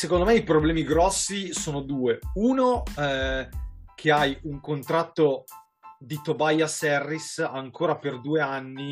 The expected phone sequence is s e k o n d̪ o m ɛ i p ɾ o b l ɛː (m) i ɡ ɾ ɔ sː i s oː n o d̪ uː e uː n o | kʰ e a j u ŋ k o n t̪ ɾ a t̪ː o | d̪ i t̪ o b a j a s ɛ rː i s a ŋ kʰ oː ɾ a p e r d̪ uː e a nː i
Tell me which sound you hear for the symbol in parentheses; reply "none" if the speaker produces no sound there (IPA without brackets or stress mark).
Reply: m